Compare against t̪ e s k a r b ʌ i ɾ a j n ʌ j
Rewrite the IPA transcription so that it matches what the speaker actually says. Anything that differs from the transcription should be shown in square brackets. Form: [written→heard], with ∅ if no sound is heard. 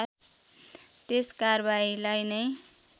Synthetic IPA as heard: t̪ e s k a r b [ʌ→a] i [ɾ→l] a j n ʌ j

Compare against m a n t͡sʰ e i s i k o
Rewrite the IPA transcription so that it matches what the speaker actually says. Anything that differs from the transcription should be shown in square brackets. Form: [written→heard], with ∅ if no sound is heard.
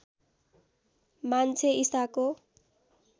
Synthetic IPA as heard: m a n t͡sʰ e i s [i→a] k o

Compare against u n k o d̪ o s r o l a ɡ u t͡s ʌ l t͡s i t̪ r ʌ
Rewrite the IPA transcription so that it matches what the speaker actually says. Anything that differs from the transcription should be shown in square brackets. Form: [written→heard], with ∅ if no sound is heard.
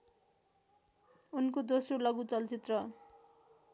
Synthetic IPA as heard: u n k o d̪ o s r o l [a→ʌ] ɡ u t͡s ʌ l t͡s i t̪ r ʌ

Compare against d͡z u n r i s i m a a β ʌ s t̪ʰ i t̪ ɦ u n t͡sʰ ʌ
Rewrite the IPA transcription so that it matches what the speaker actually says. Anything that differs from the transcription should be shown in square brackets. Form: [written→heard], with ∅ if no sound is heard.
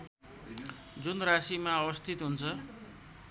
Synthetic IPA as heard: d͡z u n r [i→a] s i m a [a→ʌ] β ʌ s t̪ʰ i t̪ ɦ u n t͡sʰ ʌ

